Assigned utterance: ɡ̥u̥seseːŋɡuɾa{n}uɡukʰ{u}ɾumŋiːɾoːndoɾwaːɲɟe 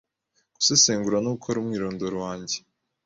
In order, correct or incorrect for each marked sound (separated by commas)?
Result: correct, incorrect